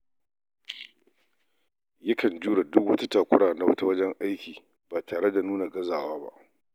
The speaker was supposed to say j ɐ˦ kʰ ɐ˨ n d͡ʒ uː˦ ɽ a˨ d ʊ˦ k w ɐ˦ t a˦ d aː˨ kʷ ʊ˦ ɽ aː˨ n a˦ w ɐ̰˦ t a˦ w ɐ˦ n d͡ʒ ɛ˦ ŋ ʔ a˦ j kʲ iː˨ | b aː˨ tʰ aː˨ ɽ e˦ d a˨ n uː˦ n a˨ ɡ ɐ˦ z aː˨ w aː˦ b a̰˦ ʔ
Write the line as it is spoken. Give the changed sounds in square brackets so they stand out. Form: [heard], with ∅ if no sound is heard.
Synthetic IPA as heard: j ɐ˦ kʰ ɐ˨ n d͡ʒ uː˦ ɽ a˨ d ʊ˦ k w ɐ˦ t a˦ [t] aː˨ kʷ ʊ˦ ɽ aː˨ n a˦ w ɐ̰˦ t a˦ w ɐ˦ [∅] d͡ʒ ɛ˦ ŋ ʔ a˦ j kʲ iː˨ | b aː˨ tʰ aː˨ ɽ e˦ d a˨ n uː˦ n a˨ ɡ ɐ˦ z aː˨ w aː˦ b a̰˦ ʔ